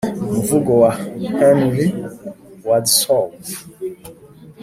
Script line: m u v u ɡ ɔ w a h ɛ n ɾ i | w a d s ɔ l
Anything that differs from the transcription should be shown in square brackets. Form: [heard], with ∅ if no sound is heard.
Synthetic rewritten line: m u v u ɡ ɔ w a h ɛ n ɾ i | w a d s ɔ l